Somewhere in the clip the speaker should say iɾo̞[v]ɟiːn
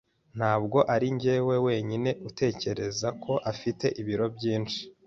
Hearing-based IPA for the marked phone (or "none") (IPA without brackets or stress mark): b